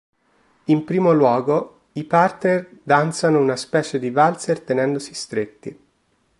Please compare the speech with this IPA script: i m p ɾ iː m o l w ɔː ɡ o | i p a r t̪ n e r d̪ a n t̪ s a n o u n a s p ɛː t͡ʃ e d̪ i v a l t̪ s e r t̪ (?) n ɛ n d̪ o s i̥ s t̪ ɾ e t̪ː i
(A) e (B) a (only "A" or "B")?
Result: A